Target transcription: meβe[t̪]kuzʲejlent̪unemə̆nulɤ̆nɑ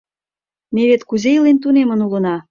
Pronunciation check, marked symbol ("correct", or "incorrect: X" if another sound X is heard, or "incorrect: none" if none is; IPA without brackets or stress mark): correct